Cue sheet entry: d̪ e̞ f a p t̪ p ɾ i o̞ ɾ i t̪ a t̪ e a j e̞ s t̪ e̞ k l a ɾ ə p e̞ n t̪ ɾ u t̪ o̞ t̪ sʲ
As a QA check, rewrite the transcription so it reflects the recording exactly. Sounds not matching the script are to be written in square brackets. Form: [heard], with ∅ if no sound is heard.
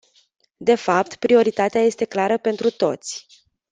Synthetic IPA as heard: d̪ e̞ f a p t̪ p ɾ i o̞ ɾ i t̪ a t̪ e a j e̞ s t̪ e̞ k l a ɾ ə p e̞ n t̪ ɾ u t̪ o̞ t̪ sʲ